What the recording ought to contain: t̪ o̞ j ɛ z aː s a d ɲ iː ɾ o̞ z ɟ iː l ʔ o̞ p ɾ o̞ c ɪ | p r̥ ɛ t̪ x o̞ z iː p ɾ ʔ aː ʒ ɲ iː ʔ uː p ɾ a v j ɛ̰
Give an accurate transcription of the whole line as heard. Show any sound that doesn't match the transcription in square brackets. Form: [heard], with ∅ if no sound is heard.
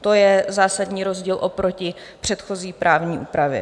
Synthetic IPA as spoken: t̪ o̞ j ɛ z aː s a d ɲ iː ɾ o̞ z ɟ iː l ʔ o̞ p ɾ o̞ c ɪ | p r̥ ɛ t̪ x o̞ z iː p ɾ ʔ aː [v] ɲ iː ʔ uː p ɾ a v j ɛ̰